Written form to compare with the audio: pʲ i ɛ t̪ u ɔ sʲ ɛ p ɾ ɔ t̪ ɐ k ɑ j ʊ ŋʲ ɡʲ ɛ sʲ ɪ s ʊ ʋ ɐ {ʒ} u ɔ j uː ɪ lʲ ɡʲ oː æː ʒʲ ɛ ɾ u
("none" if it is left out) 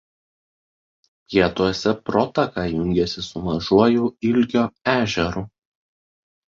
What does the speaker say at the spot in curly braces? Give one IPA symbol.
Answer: ʒ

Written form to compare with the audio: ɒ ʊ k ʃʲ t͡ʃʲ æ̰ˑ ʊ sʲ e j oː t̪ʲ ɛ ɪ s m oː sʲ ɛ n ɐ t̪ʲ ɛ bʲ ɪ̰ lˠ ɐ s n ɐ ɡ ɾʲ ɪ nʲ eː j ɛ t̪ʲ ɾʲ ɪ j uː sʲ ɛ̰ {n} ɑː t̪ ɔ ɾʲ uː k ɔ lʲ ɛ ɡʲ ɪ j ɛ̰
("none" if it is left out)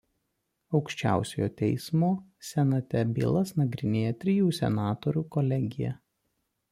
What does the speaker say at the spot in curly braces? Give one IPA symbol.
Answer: n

